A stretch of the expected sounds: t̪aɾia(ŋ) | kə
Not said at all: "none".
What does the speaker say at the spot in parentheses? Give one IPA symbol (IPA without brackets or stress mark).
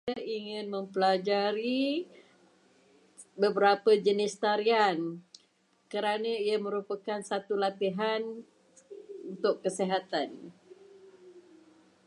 n